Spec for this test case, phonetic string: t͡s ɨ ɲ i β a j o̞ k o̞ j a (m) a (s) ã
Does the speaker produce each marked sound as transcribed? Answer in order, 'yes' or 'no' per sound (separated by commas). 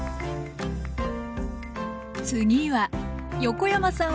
yes, yes